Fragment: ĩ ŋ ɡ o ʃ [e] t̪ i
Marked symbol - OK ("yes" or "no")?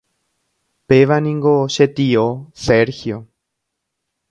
yes